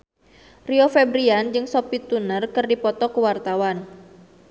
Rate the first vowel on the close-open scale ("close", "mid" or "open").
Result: close